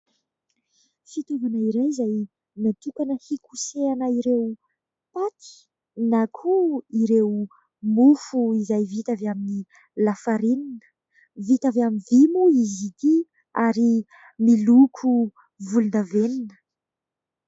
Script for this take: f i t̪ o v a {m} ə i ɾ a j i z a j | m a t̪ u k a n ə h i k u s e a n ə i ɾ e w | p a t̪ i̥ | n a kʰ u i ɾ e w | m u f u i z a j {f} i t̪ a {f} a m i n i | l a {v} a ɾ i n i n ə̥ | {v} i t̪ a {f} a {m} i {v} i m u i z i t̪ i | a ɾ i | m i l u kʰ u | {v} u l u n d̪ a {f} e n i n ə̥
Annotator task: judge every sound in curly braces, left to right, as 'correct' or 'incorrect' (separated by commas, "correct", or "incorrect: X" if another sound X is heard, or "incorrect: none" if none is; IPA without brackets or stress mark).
incorrect: n, incorrect: v, incorrect: v, incorrect: f, correct, incorrect: v, correct, correct, correct, incorrect: v